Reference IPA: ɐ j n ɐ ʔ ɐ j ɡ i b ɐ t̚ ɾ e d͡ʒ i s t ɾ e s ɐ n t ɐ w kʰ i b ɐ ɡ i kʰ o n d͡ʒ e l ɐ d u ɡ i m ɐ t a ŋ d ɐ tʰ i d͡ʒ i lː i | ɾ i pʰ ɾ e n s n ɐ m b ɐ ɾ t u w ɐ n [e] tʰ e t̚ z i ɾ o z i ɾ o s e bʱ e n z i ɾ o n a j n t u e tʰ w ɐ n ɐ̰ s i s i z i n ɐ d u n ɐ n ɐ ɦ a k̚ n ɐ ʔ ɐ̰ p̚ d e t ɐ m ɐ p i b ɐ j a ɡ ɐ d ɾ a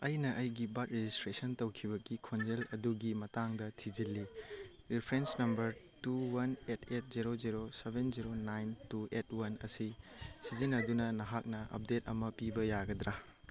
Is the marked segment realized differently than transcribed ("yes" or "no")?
no